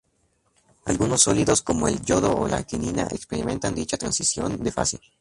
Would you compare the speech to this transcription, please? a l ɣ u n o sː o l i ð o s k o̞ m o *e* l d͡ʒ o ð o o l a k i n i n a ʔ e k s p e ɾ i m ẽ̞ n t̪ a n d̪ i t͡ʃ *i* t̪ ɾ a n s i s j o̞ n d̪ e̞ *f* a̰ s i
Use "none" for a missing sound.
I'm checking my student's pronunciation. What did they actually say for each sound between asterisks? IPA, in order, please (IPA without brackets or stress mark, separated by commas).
e, a, f